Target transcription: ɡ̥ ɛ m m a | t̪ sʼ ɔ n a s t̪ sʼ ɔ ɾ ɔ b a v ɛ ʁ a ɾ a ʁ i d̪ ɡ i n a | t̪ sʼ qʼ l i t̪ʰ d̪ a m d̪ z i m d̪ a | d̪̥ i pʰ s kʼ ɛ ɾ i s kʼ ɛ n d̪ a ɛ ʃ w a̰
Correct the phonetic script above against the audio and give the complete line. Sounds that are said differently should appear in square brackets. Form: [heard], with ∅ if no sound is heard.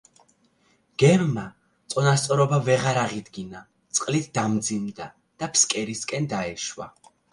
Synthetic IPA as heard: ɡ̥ ɛ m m a | t̪ sʼ ɔ n a s t̪ sʼ ɔ ɾ ɔ b a v ɛ ʁ a ɾ a ʁ i d̪ ɡ i n a | t̪ sʼ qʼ l i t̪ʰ d̪ a m d̪ z i m d̪ a | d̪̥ [a] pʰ s kʼ ɛ ɾ i s kʼ ɛ n d̪ a ɛ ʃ w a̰